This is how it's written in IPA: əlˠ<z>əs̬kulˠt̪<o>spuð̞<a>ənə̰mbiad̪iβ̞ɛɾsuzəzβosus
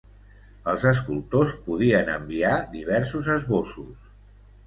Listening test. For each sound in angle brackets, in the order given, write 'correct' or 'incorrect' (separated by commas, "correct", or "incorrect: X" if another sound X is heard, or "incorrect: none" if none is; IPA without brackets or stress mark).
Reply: correct, correct, incorrect: i